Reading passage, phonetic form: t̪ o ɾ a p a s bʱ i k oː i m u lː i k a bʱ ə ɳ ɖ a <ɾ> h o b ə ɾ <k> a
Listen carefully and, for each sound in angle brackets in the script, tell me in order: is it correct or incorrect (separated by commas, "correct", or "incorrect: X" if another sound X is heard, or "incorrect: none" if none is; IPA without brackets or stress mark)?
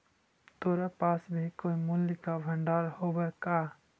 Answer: correct, correct